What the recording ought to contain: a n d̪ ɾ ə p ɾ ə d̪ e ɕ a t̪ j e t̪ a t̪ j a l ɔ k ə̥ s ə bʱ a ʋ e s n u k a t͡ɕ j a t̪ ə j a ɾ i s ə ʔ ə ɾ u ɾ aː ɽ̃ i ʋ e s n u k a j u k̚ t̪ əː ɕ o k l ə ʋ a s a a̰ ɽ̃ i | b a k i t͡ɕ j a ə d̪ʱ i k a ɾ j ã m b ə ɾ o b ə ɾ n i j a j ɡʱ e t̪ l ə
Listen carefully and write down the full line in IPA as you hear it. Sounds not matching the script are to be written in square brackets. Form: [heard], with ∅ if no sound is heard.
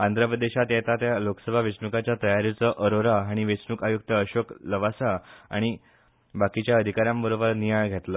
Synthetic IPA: a n d̪ ɾ ə p ɾ ə d̪ e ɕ a t̪ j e t̪ a t̪ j a l [o] k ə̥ s ə bʱ a ʋ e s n u k a t͡ɕ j a t̪ ə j a ɾ i [t͡s] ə ʔ ə ɾ [o] ɾ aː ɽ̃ i ʋ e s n u k a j u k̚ t̪ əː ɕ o k l ə ʋ a s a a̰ ɽ̃ i | b a k i t͡ɕ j a ə d̪ʱ i k a ɾ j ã m b ə ɾ o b ə ɾ n i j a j ɡʱ e t̪ l ə